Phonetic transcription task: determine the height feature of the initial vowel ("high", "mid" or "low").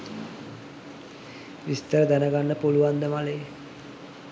high